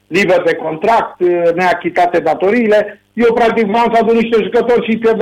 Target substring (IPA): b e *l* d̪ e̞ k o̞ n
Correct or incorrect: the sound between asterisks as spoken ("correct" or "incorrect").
incorrect